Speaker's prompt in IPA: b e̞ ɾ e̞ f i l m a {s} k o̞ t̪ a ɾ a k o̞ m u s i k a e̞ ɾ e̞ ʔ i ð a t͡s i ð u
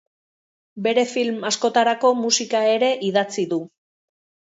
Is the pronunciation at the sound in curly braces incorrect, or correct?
correct